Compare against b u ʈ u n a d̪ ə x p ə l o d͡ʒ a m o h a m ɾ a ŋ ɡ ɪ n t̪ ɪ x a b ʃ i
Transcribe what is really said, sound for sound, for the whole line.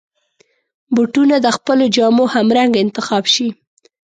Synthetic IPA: b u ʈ u n a d̪ ə x p ə l o d͡ʒ ɑ m o h a m ɾ a ŋ ɡ ɪ n t̪ ɪ x ɑ b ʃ i